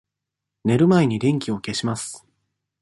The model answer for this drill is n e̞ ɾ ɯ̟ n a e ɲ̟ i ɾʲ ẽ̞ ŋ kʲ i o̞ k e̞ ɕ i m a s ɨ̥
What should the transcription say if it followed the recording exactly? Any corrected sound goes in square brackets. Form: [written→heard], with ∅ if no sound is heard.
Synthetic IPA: n e̞ ɾ ɯ̟ [n→m] a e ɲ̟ i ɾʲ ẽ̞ ŋ kʲ i o̞ k e̞ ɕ i m a s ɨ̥